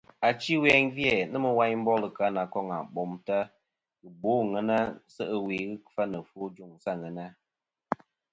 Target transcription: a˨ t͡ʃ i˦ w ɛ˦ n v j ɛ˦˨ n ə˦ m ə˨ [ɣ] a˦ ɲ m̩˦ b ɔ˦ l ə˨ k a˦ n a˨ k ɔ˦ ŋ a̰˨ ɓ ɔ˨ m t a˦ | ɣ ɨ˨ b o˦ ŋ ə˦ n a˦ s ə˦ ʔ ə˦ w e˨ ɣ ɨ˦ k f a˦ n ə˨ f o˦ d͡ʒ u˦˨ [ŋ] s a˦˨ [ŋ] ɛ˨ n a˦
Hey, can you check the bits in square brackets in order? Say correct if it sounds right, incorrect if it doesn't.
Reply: incorrect: w, correct, correct

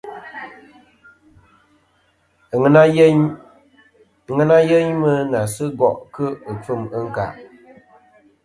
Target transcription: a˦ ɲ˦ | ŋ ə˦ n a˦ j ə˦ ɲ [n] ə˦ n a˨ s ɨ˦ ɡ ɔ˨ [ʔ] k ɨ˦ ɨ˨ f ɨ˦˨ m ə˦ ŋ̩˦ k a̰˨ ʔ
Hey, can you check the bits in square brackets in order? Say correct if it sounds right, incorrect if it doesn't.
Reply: incorrect: m, correct

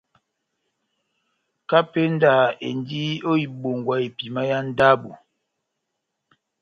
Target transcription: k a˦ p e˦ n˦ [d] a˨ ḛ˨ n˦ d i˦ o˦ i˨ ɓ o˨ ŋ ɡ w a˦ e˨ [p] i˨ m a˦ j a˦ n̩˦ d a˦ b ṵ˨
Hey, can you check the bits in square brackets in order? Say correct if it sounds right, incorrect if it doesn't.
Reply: correct, correct

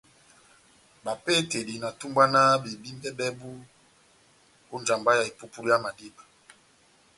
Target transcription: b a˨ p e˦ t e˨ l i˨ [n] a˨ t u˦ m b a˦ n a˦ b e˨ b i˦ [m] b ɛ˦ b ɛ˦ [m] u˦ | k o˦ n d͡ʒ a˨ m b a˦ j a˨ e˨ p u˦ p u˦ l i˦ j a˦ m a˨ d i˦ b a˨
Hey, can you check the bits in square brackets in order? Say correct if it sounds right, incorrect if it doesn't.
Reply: correct, correct, incorrect: b

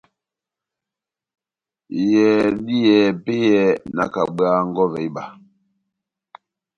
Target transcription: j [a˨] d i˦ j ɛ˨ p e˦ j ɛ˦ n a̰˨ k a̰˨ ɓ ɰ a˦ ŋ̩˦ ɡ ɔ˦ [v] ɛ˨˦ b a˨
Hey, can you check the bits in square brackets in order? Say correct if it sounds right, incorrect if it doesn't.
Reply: incorrect: ɛ˨, correct

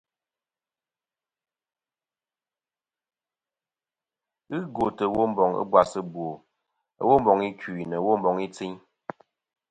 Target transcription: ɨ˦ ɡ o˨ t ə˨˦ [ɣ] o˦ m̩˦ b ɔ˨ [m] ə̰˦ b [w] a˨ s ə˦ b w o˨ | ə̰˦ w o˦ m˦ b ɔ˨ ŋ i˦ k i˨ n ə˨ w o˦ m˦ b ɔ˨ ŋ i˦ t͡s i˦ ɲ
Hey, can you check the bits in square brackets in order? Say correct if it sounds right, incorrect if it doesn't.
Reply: incorrect: w, incorrect: ŋ, correct

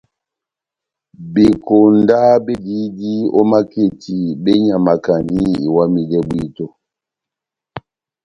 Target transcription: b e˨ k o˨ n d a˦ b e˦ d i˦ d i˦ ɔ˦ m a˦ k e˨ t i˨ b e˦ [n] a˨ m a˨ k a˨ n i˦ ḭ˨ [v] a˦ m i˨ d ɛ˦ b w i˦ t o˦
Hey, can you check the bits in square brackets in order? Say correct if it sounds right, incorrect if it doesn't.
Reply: incorrect: ɲ, incorrect: w

